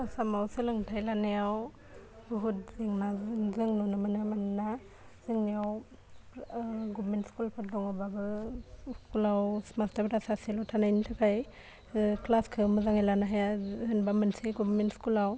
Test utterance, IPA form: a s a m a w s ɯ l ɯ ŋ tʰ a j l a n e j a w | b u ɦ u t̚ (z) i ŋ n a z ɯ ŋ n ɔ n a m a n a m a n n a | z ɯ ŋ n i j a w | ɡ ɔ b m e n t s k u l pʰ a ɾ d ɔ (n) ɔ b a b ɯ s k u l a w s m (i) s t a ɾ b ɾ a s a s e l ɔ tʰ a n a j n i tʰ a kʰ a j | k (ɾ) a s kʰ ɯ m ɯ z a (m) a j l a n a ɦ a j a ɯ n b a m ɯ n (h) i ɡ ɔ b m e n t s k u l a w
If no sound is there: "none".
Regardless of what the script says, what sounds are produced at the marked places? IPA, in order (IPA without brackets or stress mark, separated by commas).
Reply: z, ŋ, a, l, ŋ, s